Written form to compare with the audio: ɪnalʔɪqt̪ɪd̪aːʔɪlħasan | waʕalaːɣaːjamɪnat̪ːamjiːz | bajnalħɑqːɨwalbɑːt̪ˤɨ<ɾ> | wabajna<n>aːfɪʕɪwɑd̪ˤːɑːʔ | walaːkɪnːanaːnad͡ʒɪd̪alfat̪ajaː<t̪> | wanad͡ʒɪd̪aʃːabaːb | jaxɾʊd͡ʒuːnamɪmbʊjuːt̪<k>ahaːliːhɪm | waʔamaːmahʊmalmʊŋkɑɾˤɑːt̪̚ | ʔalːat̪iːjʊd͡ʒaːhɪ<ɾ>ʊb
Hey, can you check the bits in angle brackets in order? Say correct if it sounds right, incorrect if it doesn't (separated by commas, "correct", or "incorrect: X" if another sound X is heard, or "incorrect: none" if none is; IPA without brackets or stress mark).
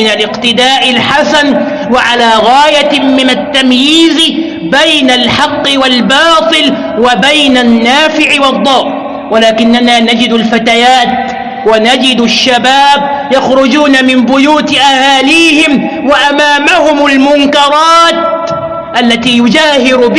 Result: incorrect: l, incorrect: nː, correct, incorrect: ʔ, correct